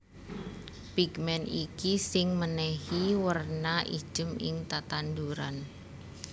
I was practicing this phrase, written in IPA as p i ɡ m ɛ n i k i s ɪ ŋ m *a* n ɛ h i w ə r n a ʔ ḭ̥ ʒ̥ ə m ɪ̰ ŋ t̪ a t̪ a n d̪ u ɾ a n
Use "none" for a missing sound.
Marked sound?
ə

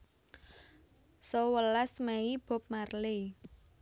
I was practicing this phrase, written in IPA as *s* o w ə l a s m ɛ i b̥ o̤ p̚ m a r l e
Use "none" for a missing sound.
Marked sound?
s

